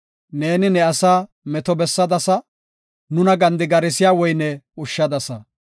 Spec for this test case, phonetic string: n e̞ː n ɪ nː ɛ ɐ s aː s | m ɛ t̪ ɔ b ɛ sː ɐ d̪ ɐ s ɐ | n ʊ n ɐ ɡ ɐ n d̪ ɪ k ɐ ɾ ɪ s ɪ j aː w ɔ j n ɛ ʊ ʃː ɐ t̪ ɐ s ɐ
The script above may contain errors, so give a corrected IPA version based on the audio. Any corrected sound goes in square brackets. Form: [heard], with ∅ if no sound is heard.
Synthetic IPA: n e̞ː n ɪ [n] ɛ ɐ s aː [∅] | m ɛ t̪ ɔ b ɛ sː ɐ d̪ ɐ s ɐ | n ʊ n ɐ ɡ ɐ n d̪ ɪ [ɡ] ɐ ɾ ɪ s ɪ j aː w ɔ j n ɛ ʊ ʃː ɐ [d̪] ɐ s ɐ

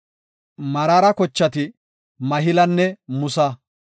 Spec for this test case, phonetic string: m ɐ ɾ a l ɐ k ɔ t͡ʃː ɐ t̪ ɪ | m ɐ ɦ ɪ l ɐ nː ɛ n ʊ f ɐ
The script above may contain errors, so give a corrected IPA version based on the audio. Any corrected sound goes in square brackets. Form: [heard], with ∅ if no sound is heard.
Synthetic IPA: m ɐ ɾ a [ɾ] ɐ k ɔ t͡ʃː ɐ t̪ ɪ | m ɐ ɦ ɪ l ɐ nː ɛ [m] ʊ [s] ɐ

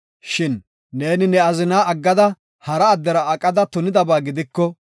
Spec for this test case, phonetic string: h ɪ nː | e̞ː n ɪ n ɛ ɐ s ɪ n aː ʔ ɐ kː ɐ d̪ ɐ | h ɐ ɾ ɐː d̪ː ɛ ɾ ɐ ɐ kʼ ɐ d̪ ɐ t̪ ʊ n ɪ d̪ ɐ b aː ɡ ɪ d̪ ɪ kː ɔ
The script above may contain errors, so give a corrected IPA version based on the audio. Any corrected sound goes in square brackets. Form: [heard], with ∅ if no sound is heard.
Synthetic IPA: [ʃ] ɪ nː | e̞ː n ɪ n ɛ ɐ [z] ɪ n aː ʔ ɐ [ɡː] ɐ d̪ ɐ | h ɐ ɾ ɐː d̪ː ɛ ɾ ɐ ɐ kʼ ɐ d̪ ɐ t̪ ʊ n ɪ d̪ ɐ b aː ɡ ɪ d̪ ɪ kː ɔ

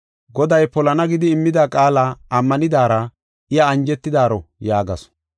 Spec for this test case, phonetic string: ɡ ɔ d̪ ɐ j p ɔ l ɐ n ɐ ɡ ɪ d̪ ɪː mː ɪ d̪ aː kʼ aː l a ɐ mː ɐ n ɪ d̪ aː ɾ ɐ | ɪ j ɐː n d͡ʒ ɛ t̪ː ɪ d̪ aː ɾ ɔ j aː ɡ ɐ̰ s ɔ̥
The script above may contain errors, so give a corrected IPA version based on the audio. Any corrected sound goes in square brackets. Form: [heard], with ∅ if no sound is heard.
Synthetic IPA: ɡ ɔ d̪ ɐ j p ɔ l ɐ n ɐ ɡ ɪ d̪ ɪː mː ɪ d̪ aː kʼ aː l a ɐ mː ɐ n ɪ d̪ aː ɾ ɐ | ɪ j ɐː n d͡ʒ ɛ t̪ː ɪ d̪ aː ɾ ɔ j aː ɡ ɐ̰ s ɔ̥

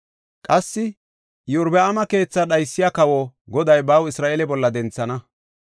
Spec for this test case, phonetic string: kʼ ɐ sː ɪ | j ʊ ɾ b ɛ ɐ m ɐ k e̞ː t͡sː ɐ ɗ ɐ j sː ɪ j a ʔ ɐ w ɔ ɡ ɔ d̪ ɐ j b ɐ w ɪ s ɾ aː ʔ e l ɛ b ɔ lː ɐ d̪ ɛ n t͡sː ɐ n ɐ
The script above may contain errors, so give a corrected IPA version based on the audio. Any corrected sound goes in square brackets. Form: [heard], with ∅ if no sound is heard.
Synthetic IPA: kʼ ɐ sː ɪ | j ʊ ɾ b ɛ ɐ m ɐ k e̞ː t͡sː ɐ ɗ ɐ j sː ɪ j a [k] ɐ w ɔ ɡ ɔ d̪ ɐ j b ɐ w ɪ s ɾ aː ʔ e l ɛ b ɔ lː ɐ d̪ ɛ n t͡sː ɐ n ɐ

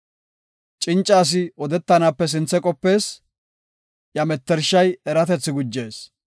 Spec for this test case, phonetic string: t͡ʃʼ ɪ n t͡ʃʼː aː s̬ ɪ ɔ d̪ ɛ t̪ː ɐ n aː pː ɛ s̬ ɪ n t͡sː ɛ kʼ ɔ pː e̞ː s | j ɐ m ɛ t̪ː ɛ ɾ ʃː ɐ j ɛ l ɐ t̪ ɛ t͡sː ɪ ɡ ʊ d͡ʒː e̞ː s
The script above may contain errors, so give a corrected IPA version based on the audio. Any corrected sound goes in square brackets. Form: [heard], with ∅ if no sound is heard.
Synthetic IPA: t͡ʃʼ ɪ n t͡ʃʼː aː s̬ ɪ ɔ d̪ ɛ t̪ː ɐ n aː pː ɛ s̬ ɪ n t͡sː ɛ kʼ ɔ pː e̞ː s | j ɐ m ɛ t̪ː ɛ ɾ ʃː ɐ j ɛ [ɾ] ɐ t̪ ɛ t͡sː ɪ ɡ ʊ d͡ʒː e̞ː s

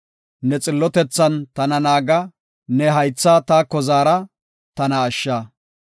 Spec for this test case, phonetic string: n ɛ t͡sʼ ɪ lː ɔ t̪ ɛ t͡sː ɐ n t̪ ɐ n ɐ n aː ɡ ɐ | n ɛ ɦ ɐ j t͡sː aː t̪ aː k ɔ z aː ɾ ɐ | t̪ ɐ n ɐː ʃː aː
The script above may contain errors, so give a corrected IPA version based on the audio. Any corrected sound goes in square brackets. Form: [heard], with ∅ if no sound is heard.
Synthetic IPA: n ɛ t͡sʼ ɪ lː ɔ t̪ ɛ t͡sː ɐ n t̪ ɐ n ɐ n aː ɡ ɐ | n ɛ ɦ ɐ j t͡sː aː t̪ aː k ɔ z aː ɾ ɐ | t̪ ɐ n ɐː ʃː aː

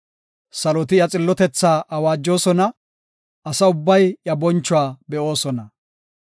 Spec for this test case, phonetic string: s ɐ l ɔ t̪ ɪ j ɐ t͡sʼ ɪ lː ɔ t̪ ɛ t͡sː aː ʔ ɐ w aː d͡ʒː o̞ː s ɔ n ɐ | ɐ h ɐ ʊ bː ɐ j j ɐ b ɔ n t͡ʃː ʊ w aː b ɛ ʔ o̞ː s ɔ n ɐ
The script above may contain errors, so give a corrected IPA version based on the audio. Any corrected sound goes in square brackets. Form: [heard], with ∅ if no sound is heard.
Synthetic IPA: s ɐ l ɔ t̪ ɪ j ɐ t͡sʼ ɪ lː ɔ t̪ ɛ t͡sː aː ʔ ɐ w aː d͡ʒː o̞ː s ɔ n ɐ | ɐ [s] ɐ ʊ bː ɐ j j ɐ b ɔ n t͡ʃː ʊ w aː b ɛ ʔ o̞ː s ɔ n ɐ

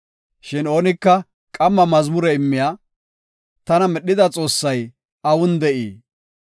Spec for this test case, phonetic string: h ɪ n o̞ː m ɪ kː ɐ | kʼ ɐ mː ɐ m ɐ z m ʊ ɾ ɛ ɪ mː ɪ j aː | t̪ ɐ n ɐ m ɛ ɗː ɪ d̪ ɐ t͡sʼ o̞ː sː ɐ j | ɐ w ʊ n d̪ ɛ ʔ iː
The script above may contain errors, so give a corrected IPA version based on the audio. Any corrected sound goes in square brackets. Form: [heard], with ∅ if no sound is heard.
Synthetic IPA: [ʃ] ɪ n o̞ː [n] ɪ kː ɐ | kʼ ɐ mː ɐ m ɐ z m ʊ ɾ ɛ ɪ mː ɪ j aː | t̪ ɐ n ɐ m ɛ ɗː ɪ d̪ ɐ t͡sʼ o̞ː sː ɐ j | ɐ w ʊ n d̪ ɛ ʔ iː

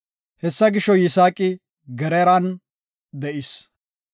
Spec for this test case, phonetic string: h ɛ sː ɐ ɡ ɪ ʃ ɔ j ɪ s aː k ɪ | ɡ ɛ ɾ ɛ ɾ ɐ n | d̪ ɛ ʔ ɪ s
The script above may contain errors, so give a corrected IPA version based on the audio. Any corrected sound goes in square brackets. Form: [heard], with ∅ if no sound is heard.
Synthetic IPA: h ɛ sː ɐ ɡ ɪ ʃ ɔ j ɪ s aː [kʼ] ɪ | ɡ ɛ ɾ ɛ ɾ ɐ n | d̪ ɛ ʔ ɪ s

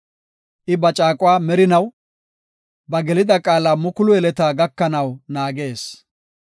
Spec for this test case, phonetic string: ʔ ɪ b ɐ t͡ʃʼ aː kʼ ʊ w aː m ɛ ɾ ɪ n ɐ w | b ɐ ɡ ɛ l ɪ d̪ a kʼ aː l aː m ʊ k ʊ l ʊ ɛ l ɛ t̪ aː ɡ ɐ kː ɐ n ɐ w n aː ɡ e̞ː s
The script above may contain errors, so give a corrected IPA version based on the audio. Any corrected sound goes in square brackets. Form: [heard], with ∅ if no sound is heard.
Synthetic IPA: ʔ ɪ b ɐ t͡ʃʼ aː kʼ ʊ w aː m ɛ ɾ ɪ n ɐ w | b ɐ ɡ ɛ l ɪ d̪ [ɐ] kʼ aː l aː m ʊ k ʊ l ʊ ɛ l ɛ t̪ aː ɡ ɐ kː ɐ n ɐ w n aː ɡ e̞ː s

